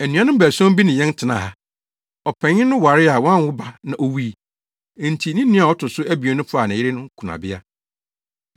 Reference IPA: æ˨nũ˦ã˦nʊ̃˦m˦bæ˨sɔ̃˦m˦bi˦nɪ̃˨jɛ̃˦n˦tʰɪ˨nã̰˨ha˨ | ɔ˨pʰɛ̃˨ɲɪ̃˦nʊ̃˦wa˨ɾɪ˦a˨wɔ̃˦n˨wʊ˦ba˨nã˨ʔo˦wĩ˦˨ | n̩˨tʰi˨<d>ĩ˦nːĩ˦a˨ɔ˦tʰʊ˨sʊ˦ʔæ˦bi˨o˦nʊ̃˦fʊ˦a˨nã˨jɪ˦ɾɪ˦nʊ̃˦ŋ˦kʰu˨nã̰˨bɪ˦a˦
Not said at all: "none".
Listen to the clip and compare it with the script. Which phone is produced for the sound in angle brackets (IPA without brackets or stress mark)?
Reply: n